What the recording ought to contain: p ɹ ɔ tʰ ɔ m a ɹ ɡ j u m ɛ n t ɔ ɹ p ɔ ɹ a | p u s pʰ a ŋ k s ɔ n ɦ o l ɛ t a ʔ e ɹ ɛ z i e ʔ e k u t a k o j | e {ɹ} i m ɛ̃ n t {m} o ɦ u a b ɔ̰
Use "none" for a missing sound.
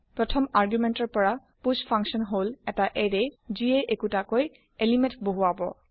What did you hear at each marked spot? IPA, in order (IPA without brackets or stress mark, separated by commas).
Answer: l, b